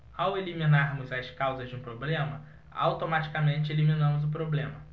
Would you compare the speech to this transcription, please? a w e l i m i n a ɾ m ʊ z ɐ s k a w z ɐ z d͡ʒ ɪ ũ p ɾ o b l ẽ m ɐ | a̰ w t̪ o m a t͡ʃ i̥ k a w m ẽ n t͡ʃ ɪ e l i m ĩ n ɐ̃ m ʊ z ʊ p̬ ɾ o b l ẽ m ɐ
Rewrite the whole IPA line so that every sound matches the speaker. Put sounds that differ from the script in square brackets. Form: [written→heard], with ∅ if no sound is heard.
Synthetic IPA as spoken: a w e l i m i n a ɾ m ʊ z ɐ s k a w z ɐ z d͡ʒ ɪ ũ p ɾ o b l ẽ m ɐ | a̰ w t̪ o m a t͡ʃ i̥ k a [w→∅] m ẽ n t͡ʃ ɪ e l i m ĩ n ɐ̃ m ʊ z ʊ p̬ ɾ o b l ẽ m ɐ